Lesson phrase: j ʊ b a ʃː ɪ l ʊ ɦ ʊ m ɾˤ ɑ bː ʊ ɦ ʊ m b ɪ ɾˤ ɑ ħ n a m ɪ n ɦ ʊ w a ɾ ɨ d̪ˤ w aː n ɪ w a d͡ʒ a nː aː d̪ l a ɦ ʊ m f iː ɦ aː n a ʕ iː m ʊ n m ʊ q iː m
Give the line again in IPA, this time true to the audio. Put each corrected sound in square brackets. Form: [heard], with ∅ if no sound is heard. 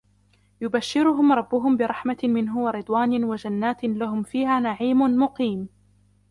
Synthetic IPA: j ʊ b a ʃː ɪ [ɾ] ʊ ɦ ʊ m ɾˤ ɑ bː ʊ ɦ ʊ m b ɪ ɾˤ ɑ ħ [m] a m ɪ n ɦ ʊ w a ɾ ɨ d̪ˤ w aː n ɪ w a d͡ʒ a nː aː [t̪] l a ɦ ʊ m f iː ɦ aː n a ʕ iː m ʊ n m ʊ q iː m